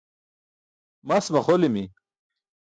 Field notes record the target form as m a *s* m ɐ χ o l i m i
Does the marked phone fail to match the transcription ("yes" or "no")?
no